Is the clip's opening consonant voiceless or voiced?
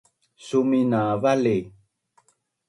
voiceless